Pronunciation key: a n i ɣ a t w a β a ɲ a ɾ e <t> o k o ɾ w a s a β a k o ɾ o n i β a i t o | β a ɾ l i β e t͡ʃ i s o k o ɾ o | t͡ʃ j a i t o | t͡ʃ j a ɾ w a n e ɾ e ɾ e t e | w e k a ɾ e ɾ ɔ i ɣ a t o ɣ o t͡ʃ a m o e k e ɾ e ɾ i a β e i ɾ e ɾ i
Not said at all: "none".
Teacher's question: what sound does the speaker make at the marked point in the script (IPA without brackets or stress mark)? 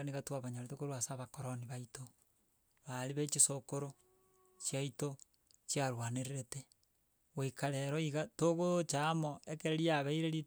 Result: t